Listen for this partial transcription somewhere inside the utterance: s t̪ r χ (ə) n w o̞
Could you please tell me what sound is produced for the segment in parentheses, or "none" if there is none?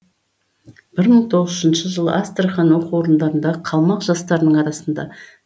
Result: ɑ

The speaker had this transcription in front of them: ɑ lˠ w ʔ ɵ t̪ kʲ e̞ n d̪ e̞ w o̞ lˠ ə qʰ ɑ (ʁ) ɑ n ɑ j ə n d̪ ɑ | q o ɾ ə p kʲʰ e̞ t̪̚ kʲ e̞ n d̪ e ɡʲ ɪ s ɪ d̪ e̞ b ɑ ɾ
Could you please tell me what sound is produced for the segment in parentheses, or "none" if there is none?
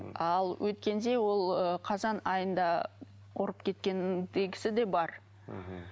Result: z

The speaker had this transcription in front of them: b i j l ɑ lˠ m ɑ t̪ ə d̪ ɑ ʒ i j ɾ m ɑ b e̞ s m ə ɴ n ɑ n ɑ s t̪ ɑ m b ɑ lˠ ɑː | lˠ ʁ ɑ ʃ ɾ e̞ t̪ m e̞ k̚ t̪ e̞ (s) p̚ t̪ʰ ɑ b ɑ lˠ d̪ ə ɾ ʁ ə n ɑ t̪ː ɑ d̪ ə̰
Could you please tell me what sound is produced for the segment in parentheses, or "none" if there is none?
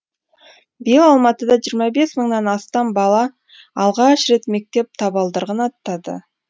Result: none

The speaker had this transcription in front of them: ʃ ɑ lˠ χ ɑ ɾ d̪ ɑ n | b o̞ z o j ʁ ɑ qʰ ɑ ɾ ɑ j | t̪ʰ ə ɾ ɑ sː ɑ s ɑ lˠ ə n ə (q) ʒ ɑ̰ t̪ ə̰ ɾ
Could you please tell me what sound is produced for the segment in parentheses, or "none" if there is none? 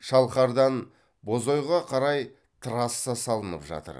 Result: p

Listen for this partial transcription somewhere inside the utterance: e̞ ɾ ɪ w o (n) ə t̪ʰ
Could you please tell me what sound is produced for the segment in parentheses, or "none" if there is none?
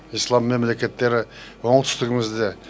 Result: ɴ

